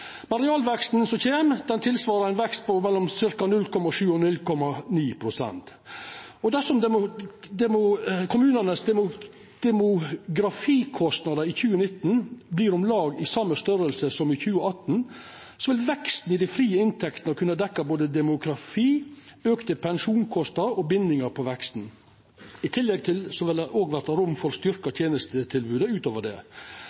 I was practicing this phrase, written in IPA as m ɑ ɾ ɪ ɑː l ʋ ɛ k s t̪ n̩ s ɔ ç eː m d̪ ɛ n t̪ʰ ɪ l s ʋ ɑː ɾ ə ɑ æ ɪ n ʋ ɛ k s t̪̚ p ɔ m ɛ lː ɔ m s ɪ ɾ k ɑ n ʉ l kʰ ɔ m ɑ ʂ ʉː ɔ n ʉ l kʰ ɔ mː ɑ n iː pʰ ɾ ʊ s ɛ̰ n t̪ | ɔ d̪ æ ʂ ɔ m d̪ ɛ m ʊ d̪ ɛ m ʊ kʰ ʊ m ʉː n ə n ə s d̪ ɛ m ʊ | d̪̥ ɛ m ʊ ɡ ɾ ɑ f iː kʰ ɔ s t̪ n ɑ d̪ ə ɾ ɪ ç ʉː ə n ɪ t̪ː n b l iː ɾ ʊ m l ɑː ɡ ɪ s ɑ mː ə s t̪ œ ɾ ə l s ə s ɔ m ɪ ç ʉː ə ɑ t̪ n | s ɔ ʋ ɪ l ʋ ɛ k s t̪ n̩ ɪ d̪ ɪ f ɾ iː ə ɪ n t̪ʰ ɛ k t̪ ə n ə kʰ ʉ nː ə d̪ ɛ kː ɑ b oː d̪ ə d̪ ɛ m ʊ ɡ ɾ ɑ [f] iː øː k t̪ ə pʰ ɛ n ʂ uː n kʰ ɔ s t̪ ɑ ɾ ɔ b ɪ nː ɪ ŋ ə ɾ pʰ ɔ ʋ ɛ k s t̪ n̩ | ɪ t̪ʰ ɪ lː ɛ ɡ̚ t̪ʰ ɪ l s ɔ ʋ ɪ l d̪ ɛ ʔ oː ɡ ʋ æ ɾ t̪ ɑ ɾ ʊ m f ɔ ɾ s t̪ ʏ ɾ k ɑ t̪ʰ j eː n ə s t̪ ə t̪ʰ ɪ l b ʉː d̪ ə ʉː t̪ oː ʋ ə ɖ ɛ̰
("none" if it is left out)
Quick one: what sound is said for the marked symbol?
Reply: f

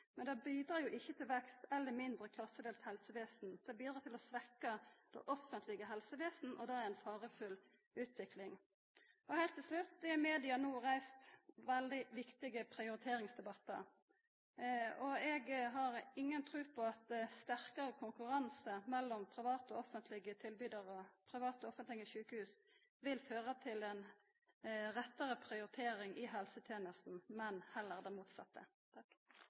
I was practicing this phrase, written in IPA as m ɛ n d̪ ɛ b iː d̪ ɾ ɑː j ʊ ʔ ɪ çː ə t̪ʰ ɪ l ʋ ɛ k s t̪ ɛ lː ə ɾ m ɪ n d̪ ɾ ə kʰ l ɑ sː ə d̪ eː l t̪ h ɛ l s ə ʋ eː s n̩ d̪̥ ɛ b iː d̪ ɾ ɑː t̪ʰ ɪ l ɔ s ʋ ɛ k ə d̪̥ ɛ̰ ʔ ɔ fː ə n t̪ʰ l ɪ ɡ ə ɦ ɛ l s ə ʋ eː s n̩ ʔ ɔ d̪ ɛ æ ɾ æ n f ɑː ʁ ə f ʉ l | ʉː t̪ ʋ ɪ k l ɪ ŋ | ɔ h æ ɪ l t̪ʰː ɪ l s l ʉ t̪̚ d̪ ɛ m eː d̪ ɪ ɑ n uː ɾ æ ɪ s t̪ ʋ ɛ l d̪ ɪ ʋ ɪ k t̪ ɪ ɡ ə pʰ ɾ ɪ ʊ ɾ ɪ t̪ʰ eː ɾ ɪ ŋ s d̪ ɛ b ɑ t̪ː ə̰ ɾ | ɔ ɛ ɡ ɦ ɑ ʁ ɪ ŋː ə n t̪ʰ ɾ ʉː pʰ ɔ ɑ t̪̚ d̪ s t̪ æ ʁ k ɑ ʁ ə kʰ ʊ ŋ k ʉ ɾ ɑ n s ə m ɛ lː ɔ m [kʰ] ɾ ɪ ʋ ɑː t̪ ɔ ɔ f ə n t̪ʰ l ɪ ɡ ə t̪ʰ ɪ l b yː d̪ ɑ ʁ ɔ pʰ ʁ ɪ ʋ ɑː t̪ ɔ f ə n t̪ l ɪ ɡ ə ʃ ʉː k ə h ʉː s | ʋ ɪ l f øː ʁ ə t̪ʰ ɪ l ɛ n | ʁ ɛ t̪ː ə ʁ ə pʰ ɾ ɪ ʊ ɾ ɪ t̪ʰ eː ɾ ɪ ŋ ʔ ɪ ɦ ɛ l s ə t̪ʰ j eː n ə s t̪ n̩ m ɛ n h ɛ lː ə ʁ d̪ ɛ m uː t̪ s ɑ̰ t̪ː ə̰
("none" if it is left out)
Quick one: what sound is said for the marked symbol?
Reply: pʰ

